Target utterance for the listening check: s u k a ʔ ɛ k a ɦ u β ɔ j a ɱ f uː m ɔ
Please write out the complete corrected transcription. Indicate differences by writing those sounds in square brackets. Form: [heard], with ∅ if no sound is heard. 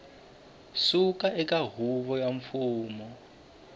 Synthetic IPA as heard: s u k a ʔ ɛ k a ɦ u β ɔ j a ɱ f uː m ɔ

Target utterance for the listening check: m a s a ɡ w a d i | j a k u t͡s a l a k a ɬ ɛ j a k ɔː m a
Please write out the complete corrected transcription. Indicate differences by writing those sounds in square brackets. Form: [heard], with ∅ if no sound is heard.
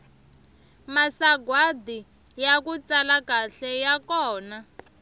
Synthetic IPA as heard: m a s a ɡ w a d i | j a k u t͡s a l a k a ɬ ɛ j a k ɔː [n] a

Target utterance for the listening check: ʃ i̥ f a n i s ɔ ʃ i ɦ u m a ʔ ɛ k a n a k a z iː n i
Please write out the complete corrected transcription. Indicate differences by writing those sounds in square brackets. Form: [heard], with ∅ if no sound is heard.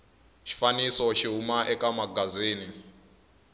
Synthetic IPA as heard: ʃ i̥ f a n i s ɔ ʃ i ɦ u m a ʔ ɛ k a [m] a [ɡ] a z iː n i

